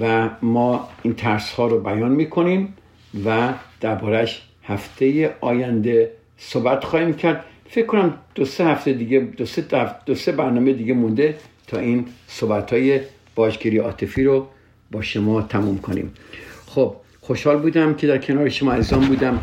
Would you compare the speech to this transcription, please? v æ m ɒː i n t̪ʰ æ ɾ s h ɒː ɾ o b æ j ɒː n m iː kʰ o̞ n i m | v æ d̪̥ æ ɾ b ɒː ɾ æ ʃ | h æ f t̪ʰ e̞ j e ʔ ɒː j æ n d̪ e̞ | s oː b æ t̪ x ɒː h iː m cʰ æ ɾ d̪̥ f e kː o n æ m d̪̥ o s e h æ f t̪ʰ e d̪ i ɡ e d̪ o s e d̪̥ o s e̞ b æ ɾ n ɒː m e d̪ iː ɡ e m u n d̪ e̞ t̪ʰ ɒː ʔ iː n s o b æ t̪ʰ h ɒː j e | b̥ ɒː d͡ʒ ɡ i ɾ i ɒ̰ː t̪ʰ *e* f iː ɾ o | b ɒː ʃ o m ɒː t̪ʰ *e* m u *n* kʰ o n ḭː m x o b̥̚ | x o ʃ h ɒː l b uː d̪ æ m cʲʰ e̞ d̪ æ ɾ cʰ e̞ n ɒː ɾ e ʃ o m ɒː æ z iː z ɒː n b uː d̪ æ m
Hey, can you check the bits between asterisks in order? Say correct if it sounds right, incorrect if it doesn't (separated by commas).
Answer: correct, incorrect, incorrect